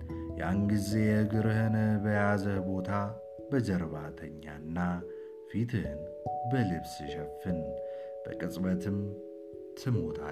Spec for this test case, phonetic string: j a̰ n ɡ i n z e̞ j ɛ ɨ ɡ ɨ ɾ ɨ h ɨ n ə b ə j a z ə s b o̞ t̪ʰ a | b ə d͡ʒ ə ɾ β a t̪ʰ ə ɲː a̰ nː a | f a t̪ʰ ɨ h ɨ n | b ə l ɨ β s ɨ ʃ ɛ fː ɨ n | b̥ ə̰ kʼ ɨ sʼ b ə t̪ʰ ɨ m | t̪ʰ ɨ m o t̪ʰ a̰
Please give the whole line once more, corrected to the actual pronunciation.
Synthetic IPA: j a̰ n ɡ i z e̞ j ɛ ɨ ɡ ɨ ɾ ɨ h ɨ n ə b ə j a z ə h b o̞ t̪ʰ a | b ə d͡ʒ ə ɾ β a t̪ʰ ə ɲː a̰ nː a | f i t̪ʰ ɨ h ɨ n | b ə l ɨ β s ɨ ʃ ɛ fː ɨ n | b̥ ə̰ kʼ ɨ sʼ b ə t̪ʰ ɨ m | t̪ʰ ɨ m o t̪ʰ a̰